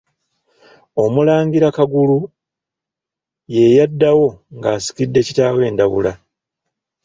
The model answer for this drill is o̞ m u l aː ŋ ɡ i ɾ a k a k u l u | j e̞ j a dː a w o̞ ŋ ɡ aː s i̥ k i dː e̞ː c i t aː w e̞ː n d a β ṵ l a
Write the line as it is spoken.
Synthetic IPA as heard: o̞ m u l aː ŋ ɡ i ɾ a k a ɡ u l u | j e̞ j a dː a w o̞ ŋ ɡ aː s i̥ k i dː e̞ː c i t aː w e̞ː n d a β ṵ l a